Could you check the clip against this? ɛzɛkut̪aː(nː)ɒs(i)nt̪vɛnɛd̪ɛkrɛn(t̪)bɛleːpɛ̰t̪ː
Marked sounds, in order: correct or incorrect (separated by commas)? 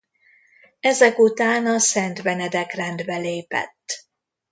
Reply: incorrect, incorrect, incorrect